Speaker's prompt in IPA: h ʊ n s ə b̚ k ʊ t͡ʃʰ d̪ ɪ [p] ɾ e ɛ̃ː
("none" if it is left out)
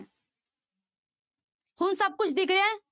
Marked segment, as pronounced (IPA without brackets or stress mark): k